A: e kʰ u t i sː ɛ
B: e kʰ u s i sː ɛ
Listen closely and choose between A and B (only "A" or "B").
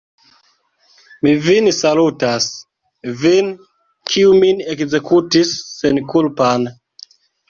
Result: A